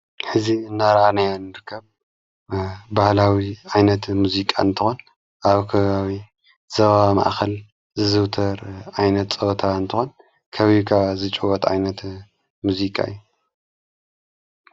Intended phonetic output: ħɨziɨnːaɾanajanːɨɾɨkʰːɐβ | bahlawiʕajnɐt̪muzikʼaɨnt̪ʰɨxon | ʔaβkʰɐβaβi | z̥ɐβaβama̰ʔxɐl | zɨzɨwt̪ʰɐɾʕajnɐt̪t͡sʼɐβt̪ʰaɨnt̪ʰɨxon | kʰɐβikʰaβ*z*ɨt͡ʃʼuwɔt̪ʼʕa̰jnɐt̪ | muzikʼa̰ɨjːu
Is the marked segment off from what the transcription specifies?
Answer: no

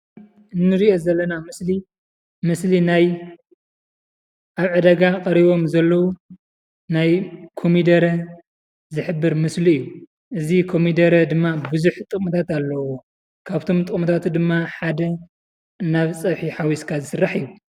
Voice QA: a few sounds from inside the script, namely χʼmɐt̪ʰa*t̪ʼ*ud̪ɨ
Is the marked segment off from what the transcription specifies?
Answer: yes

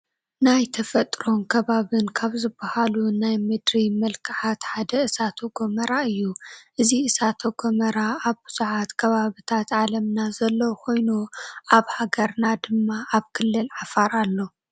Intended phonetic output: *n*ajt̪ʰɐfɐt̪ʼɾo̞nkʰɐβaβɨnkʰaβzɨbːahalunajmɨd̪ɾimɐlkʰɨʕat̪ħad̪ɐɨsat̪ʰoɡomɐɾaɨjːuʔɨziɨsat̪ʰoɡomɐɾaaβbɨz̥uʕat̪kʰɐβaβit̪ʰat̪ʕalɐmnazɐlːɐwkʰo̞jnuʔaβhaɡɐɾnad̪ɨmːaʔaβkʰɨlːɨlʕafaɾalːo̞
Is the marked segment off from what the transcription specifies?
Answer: no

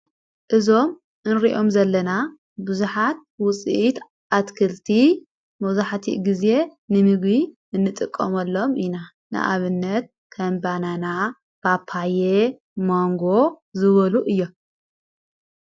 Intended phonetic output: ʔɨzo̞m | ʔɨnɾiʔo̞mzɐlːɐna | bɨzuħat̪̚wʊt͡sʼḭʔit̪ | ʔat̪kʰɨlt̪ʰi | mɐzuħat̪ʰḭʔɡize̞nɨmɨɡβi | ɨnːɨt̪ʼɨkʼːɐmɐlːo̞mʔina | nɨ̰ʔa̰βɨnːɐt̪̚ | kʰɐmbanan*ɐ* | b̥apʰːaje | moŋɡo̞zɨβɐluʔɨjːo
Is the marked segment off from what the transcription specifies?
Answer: yes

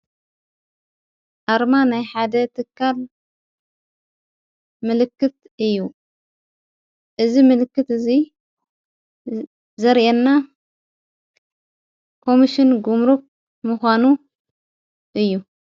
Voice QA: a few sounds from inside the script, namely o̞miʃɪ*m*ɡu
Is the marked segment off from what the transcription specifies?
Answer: yes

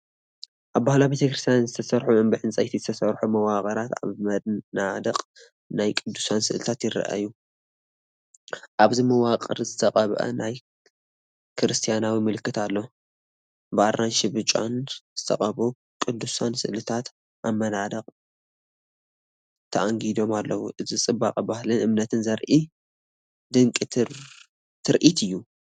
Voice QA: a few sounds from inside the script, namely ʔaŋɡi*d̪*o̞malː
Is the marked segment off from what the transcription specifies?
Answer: no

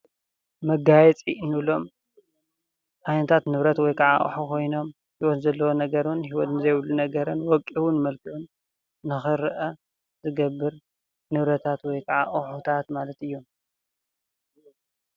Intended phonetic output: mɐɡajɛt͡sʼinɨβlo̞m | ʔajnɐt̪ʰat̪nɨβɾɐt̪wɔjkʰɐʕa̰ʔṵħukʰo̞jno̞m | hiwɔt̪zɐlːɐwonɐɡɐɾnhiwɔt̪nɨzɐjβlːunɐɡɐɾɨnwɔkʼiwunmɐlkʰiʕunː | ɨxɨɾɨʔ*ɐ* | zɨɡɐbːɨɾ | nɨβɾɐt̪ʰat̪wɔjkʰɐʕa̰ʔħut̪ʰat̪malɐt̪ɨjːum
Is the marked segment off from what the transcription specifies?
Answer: no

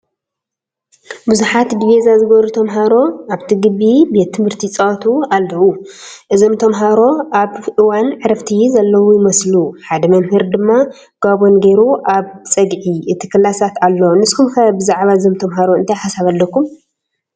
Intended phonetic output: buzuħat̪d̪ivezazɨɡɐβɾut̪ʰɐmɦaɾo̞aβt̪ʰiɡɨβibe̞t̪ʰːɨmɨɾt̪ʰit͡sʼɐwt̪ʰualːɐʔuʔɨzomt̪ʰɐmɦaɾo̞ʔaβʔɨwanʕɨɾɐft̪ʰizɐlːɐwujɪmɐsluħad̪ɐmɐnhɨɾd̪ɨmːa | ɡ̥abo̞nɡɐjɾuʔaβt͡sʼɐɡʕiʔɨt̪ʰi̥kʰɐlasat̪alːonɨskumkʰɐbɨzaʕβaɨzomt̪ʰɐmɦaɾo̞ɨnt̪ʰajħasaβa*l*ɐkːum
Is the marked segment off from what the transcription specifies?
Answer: yes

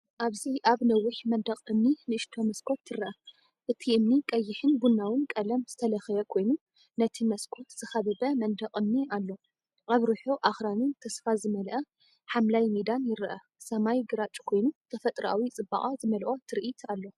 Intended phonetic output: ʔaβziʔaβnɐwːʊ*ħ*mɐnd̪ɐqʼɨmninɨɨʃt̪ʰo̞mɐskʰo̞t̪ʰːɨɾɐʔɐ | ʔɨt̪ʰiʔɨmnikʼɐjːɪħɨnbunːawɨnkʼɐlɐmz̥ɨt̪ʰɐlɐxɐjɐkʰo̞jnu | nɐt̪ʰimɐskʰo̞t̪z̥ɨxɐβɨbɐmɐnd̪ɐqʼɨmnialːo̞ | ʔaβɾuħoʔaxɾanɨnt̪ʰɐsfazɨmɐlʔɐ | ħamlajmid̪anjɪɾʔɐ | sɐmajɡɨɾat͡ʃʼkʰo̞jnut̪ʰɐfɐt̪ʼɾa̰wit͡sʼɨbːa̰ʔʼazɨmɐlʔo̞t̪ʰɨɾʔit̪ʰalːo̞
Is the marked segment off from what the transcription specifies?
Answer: no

